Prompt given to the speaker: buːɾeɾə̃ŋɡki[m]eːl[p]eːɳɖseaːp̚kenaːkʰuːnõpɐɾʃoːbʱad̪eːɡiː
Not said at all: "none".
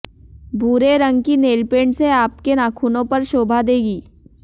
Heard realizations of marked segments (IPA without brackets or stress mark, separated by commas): n, p